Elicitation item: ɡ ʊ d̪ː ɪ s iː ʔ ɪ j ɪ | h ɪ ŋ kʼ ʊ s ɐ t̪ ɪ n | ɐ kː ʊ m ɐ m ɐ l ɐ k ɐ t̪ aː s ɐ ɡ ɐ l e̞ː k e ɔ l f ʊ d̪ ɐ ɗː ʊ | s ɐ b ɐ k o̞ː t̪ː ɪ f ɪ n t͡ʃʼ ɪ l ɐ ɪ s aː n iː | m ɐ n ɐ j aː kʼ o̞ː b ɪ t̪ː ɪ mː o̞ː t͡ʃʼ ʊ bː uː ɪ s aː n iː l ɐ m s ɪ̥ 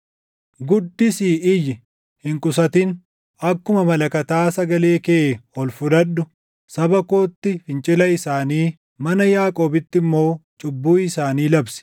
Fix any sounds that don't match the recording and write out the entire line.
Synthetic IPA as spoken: ɡ ʊ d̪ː ɪ s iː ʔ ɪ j ɪ | h ɪ ŋ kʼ ʊ s ɐ t̪ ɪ n | ɐ kː ʊ m ɐ m ɐ l ɐ k ɐ t̪ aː s ɐ ɡ ɐ l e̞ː k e ɔ l f ʊ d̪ ɐ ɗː ʊ | s ɐ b ɐ k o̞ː t̪ː ɪ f ɪ n t͡ʃʼ ɪ l ɐ ɪ s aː n iː | m ɐ n ɐ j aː kʼ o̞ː b ɪ t̪ː ɪ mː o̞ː t͡ʃʼ ʊ bː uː ɪ s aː n iː l ɐ b s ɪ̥